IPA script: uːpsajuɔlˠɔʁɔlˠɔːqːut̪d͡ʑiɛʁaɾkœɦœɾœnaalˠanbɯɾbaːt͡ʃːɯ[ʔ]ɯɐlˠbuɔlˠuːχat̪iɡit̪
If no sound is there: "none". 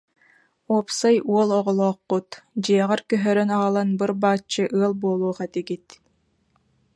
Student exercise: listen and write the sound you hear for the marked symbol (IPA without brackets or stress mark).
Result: ʔ